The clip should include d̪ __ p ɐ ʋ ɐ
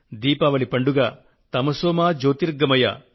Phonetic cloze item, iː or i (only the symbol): iː